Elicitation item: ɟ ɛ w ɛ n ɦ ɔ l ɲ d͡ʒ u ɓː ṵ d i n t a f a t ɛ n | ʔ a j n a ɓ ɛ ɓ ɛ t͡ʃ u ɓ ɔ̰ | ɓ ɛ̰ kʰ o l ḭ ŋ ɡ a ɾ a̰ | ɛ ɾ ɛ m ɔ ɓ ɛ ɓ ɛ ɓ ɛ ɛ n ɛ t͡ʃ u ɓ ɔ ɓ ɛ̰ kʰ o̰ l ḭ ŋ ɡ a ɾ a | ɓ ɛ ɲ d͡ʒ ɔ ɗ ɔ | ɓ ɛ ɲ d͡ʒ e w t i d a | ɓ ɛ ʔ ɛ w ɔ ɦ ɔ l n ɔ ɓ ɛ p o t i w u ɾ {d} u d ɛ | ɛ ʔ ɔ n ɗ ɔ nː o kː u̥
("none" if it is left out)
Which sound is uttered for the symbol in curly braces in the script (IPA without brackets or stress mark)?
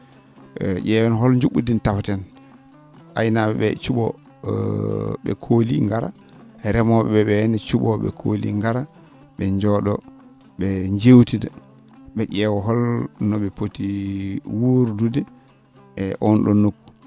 d